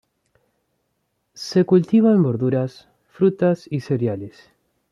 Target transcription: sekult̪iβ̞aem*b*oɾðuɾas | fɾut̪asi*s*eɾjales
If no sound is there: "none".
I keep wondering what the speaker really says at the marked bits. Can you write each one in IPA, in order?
b, s

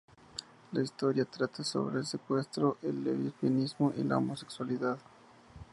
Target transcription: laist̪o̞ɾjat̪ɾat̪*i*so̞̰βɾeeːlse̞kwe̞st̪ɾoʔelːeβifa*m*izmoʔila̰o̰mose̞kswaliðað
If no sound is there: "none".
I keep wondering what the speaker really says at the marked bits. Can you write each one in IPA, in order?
a, n

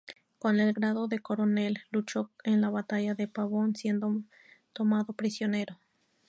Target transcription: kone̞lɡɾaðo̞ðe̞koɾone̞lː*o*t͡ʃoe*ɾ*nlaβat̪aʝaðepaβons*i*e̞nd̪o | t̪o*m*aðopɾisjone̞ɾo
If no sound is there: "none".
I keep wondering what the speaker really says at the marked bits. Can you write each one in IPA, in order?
u, none, j, m

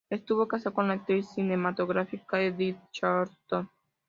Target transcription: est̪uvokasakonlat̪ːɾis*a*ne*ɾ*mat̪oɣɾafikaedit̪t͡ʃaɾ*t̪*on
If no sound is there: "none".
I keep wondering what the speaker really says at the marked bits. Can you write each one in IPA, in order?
i, none, t̪

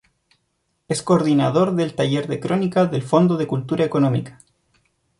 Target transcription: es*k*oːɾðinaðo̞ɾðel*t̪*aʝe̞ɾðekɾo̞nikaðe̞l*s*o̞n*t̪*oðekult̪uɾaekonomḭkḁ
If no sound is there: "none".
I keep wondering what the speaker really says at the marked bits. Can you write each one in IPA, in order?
k, t̪, f, d̪

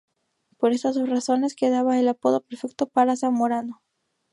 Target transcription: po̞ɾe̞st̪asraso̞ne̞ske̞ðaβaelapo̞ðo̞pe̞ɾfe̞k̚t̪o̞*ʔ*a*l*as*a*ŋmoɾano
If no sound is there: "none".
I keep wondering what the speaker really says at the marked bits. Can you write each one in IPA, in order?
p, ɾ, a

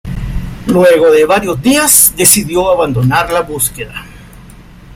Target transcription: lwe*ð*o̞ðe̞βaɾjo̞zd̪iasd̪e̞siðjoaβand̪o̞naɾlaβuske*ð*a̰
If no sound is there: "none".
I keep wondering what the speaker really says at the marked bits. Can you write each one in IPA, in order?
ɣ, ð

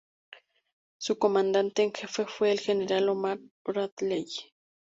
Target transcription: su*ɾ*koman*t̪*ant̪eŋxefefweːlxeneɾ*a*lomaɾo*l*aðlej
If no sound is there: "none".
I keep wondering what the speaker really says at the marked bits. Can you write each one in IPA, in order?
none, d̪, a, ɾ

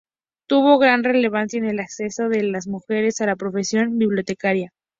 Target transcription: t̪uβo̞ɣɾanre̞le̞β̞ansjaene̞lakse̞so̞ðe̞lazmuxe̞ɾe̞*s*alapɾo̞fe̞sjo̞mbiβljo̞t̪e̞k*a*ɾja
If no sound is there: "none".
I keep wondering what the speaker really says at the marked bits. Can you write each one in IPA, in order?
s, a

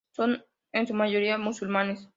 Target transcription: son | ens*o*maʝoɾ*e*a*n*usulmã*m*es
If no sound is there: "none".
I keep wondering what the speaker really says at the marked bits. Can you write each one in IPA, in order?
u, i, m, n

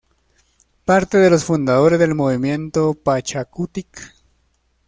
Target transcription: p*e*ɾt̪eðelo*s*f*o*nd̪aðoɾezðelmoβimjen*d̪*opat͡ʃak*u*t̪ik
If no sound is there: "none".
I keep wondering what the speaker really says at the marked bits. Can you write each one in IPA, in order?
a, s, u, t̪, u

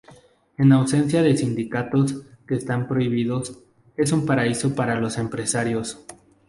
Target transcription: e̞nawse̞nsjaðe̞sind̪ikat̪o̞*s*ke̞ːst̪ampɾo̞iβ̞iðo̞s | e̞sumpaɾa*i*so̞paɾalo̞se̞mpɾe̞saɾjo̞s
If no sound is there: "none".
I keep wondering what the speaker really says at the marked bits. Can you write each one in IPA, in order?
s, i

